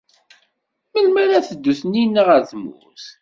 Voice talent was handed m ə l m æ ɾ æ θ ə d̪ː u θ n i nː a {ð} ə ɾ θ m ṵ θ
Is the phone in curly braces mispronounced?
yes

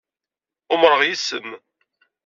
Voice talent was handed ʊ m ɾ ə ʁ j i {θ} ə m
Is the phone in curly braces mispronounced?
yes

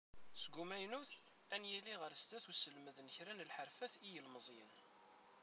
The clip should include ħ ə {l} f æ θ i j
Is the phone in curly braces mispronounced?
yes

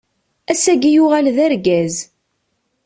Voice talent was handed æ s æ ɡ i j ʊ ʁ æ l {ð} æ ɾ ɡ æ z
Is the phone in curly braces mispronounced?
no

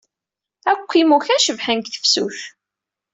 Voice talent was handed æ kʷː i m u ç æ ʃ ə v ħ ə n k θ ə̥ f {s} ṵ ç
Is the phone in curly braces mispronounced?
no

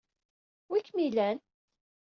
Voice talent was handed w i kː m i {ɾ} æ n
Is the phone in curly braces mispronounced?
yes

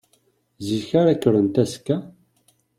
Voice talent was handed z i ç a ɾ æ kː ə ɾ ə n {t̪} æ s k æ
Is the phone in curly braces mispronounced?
no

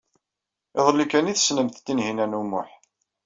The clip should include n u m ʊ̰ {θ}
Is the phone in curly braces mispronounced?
yes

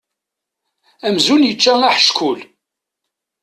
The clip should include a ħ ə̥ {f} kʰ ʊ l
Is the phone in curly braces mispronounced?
yes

